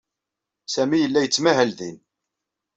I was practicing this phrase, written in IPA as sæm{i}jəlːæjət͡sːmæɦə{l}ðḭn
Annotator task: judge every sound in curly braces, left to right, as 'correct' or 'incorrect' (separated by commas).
correct, correct